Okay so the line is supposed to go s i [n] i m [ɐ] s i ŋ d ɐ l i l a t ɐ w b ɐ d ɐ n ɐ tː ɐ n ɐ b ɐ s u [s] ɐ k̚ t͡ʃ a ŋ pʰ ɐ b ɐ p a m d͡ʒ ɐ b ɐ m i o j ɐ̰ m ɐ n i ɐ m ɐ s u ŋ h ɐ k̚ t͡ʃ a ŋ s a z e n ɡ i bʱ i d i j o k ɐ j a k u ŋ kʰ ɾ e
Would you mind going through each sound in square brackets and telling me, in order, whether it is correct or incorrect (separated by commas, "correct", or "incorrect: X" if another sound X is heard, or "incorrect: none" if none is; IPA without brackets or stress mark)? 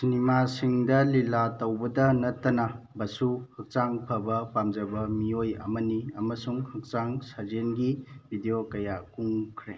correct, incorrect: a, incorrect: h